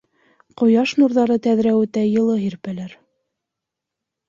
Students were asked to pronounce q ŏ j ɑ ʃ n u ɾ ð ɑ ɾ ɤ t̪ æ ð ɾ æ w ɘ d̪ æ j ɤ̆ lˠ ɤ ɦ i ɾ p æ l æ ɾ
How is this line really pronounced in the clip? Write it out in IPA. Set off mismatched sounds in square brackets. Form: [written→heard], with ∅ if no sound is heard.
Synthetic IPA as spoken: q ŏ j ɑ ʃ n u ɾ ð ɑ ɾ ɤ t̪ æ ð ɾ æ w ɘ [d̪→t̪] æ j ɤ̆ lˠ ɤ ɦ i ɾ p æ l æ ɾ